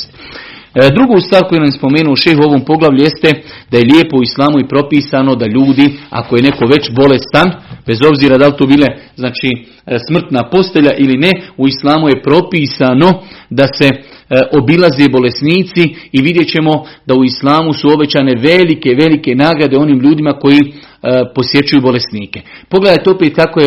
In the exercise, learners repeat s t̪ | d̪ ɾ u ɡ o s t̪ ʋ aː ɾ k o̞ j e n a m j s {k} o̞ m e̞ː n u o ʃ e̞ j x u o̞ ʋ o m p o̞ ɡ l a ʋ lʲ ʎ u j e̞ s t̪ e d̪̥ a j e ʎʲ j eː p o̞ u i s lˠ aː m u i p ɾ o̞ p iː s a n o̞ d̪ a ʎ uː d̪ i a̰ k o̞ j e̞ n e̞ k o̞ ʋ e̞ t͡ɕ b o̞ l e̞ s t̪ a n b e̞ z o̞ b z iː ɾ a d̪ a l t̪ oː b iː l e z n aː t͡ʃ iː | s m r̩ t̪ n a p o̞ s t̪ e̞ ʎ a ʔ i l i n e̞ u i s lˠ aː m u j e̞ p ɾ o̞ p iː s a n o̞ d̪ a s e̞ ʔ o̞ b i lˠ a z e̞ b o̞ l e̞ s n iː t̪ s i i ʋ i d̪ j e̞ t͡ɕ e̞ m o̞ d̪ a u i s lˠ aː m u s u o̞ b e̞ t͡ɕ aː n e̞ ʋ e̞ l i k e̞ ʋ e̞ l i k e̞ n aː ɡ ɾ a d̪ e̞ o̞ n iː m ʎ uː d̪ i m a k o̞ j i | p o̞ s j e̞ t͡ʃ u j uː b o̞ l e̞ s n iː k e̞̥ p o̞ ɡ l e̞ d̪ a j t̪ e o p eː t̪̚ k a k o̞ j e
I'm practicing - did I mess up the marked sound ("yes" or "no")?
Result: yes